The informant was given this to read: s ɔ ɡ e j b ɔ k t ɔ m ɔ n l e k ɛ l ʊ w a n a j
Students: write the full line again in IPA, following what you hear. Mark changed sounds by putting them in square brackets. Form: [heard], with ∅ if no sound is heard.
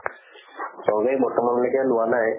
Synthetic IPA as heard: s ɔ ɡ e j b ɔ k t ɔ m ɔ n l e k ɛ l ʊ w a n a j